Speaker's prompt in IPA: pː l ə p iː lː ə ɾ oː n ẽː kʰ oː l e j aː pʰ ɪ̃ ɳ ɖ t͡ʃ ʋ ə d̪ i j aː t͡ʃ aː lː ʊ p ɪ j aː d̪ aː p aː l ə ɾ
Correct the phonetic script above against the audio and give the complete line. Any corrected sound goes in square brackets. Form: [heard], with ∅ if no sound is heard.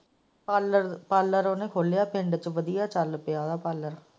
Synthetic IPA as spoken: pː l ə p [aː] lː ə ɾ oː n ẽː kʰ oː l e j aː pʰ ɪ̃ ɳ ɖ t͡ʃ ʋ ə d̪ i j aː t͡ʃ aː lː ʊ p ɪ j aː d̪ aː p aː l ə ɾ